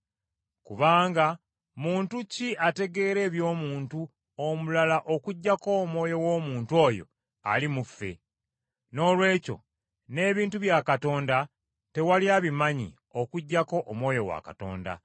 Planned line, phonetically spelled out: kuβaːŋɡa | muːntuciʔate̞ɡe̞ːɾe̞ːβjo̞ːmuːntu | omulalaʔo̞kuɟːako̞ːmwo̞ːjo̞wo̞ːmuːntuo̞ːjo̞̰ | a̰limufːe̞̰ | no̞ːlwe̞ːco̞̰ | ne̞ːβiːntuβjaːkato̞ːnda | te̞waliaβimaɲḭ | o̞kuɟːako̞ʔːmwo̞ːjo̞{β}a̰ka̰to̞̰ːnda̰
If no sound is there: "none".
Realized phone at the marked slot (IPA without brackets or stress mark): w